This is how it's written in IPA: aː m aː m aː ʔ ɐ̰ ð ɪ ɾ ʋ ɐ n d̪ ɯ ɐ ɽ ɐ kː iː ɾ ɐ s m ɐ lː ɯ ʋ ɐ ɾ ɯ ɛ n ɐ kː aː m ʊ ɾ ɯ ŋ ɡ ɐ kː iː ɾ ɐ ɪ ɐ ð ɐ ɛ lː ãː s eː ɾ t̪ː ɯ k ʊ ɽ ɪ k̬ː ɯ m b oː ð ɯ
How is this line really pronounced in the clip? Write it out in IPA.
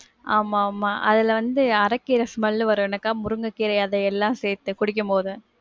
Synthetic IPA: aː m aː m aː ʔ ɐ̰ ð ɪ l ʋ ɐ n d̪ ɯ ɐ ɾ ɐ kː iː ɾ ɐ s m ɐ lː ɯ ʋ ɐ ɾ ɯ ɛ n ɐ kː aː m ʊ ɾ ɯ ŋ ɡ ɐ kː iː ɾ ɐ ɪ ɐ ð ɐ ɛ lː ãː s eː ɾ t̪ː ɯ k ʊ ɽ ɪ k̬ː ɯ m p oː ð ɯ